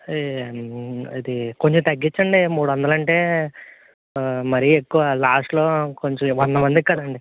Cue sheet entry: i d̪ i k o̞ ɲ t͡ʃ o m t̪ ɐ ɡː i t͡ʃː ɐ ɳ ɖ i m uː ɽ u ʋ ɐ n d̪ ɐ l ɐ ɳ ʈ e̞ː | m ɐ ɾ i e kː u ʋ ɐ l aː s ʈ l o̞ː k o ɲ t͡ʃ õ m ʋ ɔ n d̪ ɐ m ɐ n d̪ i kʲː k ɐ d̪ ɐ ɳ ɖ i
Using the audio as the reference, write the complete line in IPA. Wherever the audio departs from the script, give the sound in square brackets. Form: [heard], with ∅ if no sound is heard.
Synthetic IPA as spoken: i d̪ i k o̞ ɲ t͡ʃ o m t̪ ɐ ɡː i t͡ʃː ɐ ɳ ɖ i m uː ɽ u ʋ ɐ n d̪ ɐ l ɐ ɳ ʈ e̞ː | m ɐ ɾ i e kː u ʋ ɐ l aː s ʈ l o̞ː k o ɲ t͡ʃ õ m ʋ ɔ n d̪ ɐ m ɐ n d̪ i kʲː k ɐ d̪ ɐ ɳ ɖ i